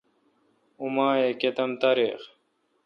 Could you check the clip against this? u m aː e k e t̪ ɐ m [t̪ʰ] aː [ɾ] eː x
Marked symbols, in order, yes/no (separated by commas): no, yes